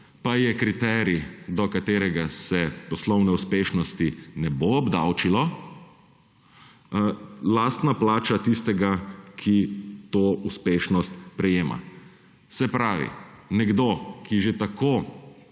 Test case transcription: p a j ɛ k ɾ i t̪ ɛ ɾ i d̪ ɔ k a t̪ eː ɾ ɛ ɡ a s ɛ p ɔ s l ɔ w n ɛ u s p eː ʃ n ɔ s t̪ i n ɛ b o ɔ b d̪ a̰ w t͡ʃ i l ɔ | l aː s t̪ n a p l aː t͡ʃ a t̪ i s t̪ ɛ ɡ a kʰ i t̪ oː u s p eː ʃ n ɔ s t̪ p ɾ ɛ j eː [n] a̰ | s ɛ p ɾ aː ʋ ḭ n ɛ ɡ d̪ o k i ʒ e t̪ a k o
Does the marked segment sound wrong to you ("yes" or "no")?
yes